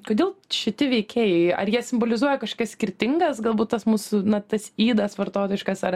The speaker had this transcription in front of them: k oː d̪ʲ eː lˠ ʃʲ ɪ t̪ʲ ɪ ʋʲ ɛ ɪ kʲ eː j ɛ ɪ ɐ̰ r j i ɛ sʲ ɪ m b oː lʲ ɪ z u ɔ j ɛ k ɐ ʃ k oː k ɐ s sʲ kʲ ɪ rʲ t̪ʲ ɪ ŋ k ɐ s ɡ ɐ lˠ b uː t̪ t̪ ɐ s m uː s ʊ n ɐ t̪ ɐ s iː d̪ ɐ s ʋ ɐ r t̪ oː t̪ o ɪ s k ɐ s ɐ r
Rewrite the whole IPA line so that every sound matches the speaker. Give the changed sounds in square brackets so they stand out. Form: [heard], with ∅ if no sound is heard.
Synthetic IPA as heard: k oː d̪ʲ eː lˠ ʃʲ ɪ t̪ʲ ɪ ʋʲ ɛ ɪ kʲ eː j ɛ ɪ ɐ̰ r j i ɛ sʲ ɪ m b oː lʲ ɪ z u ɔ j ɛ k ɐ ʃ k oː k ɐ s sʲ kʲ ɪ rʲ t̪ʲ ɪ ŋ [ɡ] ɐ s ɡ ɐ lˠ b uː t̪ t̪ ɐ s m uː s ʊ n ɐ t̪ ɐ s iː d̪ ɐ s ʋ ɐ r t̪ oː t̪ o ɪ [ʃ] k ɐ s ɐ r